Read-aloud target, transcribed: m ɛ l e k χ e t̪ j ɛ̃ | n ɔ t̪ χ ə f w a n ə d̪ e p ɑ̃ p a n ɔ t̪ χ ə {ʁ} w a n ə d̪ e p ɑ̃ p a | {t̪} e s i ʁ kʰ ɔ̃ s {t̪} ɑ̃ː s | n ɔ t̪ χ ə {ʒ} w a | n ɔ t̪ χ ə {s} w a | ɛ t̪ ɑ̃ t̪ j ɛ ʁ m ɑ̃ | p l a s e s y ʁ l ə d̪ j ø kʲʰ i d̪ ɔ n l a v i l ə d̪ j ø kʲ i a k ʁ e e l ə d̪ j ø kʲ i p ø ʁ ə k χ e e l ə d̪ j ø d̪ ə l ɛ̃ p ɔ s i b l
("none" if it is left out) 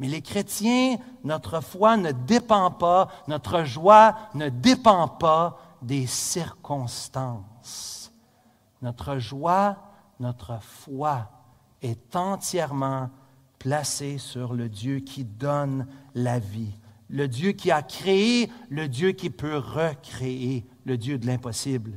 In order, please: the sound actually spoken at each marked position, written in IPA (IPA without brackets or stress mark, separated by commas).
ʒ, d̪, t̪, ʒ, f